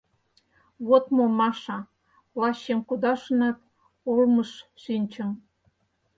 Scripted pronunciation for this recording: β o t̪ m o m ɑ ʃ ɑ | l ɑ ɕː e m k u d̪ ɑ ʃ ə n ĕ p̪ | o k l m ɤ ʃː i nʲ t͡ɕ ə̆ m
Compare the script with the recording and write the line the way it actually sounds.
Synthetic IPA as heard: β o t̪ m o m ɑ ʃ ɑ | l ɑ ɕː e m k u d̪ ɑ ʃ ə n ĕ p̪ | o l m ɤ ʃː i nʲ t͡ɕ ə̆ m